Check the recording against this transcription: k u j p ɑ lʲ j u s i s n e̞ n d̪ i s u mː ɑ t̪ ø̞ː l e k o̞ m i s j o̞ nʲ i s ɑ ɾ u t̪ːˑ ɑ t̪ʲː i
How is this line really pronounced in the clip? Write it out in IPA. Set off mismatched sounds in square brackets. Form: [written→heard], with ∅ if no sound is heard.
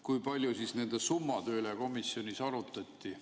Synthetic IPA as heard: k u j p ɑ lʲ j u s i s n e̞ n d̪ [i→e] s u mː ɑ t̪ ø̞ː l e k o̞ m i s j o̞ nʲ i s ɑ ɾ u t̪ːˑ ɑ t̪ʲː i